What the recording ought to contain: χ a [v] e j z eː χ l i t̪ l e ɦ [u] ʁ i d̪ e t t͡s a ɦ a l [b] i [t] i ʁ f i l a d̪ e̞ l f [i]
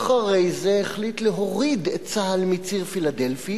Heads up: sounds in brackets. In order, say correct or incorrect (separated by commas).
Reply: incorrect, incorrect, incorrect, incorrect, correct